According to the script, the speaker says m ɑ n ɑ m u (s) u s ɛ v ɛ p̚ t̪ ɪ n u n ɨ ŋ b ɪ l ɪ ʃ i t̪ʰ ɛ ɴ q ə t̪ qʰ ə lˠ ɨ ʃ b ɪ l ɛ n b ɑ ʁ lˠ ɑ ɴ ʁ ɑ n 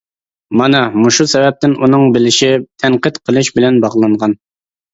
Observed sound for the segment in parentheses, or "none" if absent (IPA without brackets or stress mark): ʃ